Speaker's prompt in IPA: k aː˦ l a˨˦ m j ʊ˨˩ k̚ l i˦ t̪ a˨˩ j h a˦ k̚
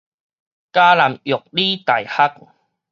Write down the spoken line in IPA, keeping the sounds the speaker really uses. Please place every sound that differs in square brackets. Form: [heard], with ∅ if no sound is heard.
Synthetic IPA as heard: k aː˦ l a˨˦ m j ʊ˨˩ k̚ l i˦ t̪ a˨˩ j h a˦ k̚